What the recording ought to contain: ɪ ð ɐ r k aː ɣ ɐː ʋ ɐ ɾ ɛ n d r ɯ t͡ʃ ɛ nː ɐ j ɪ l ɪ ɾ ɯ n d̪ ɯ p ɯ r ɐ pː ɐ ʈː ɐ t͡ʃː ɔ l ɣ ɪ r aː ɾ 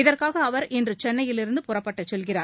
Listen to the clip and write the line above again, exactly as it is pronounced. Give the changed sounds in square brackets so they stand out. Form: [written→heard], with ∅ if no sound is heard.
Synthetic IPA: ɪ ð ɐ r k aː ɣ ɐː ʋ ɐ ɾ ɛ n d r ɯ t͡ʃ ɛ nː ɐ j ɪ l ɪ ɾ ɯ n d̪ ɯ p [ɯ→ʊ] r ɐ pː ɐ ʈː ɐ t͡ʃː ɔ l ɣ ɪ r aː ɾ